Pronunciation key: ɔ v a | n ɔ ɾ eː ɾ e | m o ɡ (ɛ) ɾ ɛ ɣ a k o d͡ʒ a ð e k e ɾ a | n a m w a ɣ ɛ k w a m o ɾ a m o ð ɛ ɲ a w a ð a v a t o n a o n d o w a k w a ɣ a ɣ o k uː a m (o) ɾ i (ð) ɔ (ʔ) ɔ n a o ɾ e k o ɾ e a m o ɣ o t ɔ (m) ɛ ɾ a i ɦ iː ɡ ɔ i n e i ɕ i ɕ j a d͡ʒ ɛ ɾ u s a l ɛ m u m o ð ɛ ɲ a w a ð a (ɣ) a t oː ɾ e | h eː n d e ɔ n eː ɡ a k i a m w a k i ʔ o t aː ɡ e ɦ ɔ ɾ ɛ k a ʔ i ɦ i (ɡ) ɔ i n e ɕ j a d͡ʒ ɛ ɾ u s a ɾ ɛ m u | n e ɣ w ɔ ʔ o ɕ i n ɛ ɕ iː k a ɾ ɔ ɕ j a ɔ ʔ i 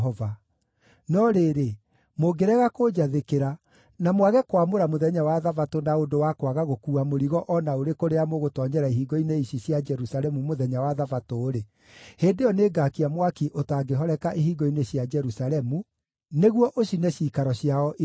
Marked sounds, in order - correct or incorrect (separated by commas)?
incorrect, correct, incorrect, correct, incorrect, incorrect, correct